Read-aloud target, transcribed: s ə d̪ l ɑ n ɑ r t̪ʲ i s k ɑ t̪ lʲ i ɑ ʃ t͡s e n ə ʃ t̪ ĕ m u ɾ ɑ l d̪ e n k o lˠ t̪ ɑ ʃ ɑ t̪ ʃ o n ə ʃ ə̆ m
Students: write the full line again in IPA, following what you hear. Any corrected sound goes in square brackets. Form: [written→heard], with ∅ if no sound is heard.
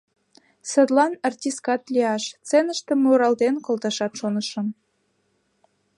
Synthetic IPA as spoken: s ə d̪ l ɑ n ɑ r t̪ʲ i s k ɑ t̪ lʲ i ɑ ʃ t͡s e n ə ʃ t̪ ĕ m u ɾ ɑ l d̪ e n k o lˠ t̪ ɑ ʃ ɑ t̪ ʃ o n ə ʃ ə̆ m